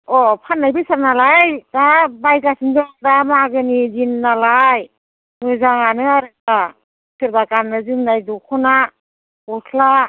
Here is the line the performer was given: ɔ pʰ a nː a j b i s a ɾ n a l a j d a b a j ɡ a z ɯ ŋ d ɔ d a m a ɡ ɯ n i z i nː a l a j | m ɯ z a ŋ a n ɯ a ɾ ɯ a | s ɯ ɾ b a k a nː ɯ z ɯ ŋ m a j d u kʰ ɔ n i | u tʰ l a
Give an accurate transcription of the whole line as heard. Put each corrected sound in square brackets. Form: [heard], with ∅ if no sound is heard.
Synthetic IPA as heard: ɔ pʰ a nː a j b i s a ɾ n a l a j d a b a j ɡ a [s] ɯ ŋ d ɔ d a m a ɡ ɯ n i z i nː a l a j | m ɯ z a ŋ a n ɯ a ɾ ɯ a | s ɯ ɾ b a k a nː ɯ z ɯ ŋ [n] a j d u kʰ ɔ n [a] | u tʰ l a